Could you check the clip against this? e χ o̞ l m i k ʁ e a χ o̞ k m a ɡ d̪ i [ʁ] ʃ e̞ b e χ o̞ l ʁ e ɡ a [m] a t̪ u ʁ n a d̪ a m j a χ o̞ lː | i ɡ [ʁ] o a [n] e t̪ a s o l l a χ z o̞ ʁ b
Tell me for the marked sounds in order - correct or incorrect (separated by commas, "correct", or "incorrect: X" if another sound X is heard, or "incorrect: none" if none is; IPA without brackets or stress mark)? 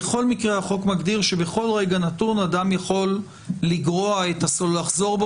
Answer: correct, incorrect: n, correct, incorrect: none